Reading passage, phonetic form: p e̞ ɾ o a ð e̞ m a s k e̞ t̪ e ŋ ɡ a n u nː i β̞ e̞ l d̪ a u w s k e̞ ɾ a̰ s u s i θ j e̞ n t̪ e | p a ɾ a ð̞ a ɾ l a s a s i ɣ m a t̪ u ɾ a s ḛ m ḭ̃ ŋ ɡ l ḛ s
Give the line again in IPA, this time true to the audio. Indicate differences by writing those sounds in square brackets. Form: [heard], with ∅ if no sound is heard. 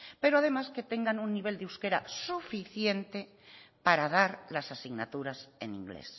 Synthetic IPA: p e̞ ɾ o a ð e̞ m a s k e̞ t̪ e ŋ ɡ a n u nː i β̞ e̞ l d̪ [e] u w s k e̞ ɾ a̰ s u [f] i θ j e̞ n t̪ e | p a ɾ a ð̞ a ɾ l a s a s i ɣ [n] a t̪ u ɾ a s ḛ [n] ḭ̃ ŋ ɡ l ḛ s